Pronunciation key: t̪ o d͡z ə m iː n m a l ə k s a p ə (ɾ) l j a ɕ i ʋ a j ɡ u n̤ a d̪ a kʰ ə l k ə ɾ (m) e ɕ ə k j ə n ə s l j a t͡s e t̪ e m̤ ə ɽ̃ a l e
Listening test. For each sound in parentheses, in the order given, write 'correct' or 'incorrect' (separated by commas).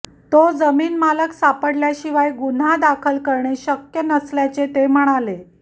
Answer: incorrect, incorrect